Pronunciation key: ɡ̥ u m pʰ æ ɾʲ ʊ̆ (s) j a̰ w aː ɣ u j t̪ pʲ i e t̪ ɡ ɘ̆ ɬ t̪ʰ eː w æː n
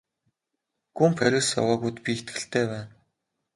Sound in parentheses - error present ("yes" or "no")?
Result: no